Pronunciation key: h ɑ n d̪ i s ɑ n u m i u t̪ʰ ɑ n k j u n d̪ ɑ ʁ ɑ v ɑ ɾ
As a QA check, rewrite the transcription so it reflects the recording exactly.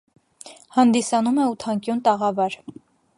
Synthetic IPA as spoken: h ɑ n d̪ i s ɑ n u m ɛ u t̪ʰ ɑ ŋ k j u n t̪ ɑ ʁ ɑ v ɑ ɾ